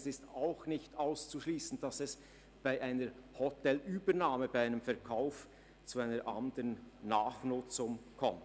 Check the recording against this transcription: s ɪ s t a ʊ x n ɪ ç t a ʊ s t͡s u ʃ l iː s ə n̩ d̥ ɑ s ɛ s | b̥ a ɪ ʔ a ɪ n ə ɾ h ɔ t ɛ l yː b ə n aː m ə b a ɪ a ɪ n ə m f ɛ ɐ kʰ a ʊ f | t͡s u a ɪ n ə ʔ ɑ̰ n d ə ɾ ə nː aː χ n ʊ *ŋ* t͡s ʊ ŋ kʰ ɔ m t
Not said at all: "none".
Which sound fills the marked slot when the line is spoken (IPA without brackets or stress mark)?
none